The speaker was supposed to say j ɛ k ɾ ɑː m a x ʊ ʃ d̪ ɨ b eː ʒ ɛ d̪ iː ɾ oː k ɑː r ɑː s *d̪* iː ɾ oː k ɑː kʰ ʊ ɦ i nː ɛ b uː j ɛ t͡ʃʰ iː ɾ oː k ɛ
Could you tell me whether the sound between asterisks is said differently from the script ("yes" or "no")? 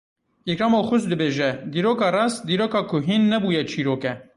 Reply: no